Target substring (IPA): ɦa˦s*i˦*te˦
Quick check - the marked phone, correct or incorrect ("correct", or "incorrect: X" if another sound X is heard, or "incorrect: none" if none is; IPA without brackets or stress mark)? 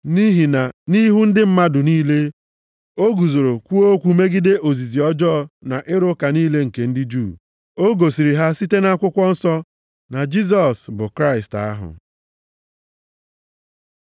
correct